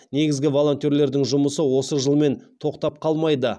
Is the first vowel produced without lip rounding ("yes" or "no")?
yes